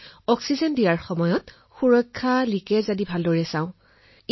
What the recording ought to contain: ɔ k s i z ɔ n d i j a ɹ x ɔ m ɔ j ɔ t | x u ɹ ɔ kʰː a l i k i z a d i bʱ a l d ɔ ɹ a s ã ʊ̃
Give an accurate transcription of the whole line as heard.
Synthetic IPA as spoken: ɔ k s i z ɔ n d i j a ɹ x ɔ m ɔ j ɔ t | x u ɹ ɔ kʰː a l i k ɛ z a d i bʱ a l d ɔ ɹ ɛ s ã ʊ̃